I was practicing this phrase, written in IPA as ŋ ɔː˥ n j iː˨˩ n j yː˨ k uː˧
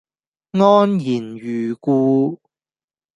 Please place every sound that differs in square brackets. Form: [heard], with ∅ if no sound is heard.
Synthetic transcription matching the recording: ŋ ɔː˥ n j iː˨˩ n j yː˨ k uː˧